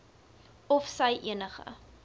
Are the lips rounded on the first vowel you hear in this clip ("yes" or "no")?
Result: yes